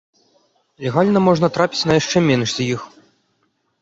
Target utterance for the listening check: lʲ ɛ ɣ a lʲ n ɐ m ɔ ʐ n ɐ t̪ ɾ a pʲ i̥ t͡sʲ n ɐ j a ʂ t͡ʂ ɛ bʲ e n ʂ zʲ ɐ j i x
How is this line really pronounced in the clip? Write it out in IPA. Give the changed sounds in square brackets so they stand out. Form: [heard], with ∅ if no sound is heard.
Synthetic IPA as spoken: lʲ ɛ ɣ a lʲ n ɐ m ɔ ʐ n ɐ t̪ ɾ a pʲ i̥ t͡sʲ n ɐ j a ʂ t͡ʂ ɛ [mʲ] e n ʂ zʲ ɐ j i x